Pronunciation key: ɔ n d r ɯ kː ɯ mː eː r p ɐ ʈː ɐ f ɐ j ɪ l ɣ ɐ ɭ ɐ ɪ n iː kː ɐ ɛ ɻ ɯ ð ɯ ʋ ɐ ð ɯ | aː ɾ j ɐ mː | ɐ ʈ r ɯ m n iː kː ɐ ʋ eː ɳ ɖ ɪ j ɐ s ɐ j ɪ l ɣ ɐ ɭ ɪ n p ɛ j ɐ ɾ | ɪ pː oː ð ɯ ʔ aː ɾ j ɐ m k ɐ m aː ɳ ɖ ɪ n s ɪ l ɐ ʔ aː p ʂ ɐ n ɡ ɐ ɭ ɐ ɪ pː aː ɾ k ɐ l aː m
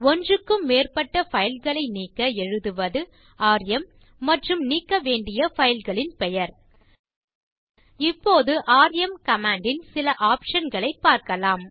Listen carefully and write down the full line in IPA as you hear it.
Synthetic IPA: ɔ n d r ɯ kː ɯ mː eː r p ɐ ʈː ɐ f ɐ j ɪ l ɣ ɐ ɭ ɐ ɪ n iː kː ɐ ɛ ɻ ɯ ð ɯ ʋ ɐ ð ɯ | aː ɾ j ɐ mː | ɐ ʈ r ɯ m n iː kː ɐ ʋ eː ɳ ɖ ɪ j ɐ f ɐ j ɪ l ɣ ɐ ɭ ɪ n p ɛ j ɐ ɾ | ɪ pː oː ð ɯ ʔ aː ɾ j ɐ m k ɐ m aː ɳ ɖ ɪ n s ɪ l ɐ ʔ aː p ʂ ɐ n ɡ ɐ ɭ ɐ ɪ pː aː ɾ k ɐ l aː m